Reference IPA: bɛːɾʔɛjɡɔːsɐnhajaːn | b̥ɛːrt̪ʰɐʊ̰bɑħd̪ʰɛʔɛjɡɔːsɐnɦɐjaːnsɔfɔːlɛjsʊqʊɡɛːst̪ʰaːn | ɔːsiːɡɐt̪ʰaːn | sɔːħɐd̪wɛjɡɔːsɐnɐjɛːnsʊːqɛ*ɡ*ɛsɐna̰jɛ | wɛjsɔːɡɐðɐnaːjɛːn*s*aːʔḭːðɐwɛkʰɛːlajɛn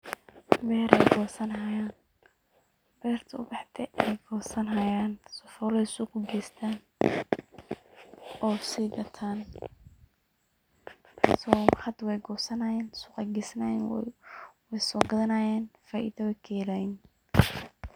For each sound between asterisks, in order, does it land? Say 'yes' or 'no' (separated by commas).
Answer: yes, no